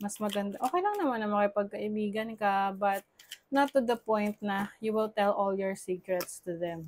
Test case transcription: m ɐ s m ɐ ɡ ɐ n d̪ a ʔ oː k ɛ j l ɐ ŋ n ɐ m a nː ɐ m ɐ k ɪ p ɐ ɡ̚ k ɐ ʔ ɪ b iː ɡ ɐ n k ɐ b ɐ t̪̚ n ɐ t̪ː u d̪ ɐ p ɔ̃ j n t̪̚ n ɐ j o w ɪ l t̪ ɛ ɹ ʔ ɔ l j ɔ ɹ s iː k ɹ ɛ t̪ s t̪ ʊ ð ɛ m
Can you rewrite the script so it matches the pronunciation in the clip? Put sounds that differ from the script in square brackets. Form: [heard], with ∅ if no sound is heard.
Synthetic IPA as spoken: m ɐ s m ɐ ɡ ɐ n d̪ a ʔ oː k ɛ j l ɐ ŋ n ɐ m a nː ɐ m ɐ k ɪ p ɐ ɡ̚ k ɐ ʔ ɪ b iː ɡ ɐ n k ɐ b ɐ t̪̚ n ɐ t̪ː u d̪ ɐ p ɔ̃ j n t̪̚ n ɐ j [u] w ɪ l t̪ ɛ [l] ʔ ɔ l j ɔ ɹ s iː k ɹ ɛ t̪ s t̪ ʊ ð ɛ m